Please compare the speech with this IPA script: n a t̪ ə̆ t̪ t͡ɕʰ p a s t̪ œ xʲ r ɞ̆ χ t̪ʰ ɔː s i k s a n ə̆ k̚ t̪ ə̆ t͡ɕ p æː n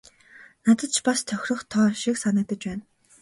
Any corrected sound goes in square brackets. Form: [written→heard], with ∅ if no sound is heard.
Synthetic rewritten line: n a t̪ ə̆ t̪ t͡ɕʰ p a s [t̪→t̪ʰ] œ xʲ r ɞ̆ χ t̪ʰ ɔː [s→ʃ] i k s a n ə̆ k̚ t̪ ə̆ t͡ɕ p æː n